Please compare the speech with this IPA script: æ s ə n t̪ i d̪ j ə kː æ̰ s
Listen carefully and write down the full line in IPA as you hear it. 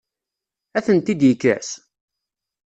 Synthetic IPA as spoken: æ θ ə n t̪ i d̪ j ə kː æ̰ s